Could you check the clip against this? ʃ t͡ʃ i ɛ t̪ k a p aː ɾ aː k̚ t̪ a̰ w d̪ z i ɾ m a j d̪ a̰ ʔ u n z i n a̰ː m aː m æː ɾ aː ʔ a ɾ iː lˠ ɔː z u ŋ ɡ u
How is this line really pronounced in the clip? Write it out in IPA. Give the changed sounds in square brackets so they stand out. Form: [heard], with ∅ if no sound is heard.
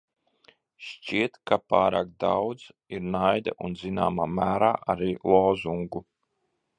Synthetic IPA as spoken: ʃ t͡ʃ i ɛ t̪ k a p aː ɾ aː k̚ [d̪] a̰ w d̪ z i ɾ [n] a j d̪ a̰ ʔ u n z i n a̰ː m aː m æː ɾ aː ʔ a ɾ iː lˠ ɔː z u ŋ ɡ u